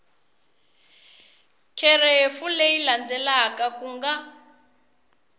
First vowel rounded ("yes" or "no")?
no